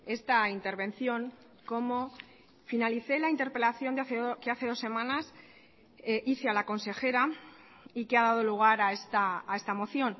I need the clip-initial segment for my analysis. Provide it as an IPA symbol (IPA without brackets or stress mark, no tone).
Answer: e̞